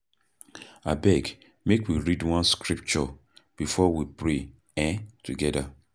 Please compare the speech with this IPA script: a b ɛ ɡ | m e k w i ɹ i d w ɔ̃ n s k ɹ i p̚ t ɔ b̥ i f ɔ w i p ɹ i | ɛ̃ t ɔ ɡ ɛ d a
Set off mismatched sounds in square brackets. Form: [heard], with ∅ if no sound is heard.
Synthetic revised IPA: a b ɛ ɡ | m e k w i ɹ i d w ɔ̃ n s k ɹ i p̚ [t͡ʃ] ɔ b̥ i f ɔ w i p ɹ [e] | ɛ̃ t [u] ɡ ɛ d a